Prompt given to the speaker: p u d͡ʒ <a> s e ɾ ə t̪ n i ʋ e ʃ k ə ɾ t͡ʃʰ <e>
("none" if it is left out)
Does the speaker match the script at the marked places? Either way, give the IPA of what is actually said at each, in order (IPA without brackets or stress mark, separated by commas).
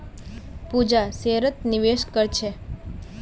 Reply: a, e